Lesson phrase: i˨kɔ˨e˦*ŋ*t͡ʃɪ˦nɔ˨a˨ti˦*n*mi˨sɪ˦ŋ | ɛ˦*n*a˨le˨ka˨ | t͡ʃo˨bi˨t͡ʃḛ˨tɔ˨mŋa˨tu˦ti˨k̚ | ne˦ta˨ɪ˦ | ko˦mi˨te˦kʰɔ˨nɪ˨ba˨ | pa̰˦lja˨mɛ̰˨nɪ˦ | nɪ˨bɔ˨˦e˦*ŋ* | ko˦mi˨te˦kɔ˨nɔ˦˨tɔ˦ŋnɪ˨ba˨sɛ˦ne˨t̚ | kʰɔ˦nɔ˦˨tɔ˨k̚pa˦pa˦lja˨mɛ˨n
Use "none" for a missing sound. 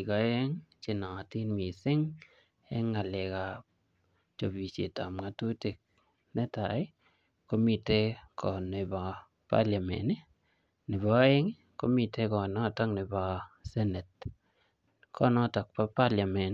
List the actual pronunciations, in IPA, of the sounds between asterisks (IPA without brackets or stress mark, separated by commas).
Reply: ŋ, n, ŋ, ŋ